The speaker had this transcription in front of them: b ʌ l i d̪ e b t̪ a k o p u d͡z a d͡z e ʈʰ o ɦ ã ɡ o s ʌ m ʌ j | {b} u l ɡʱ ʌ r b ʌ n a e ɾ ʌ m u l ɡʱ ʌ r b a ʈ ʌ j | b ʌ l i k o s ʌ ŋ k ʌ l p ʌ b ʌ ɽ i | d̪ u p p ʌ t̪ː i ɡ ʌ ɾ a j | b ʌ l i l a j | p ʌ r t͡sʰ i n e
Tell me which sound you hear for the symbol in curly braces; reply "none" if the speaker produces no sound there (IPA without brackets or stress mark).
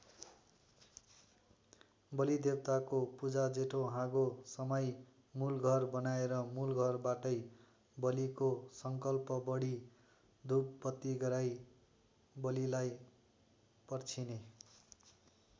m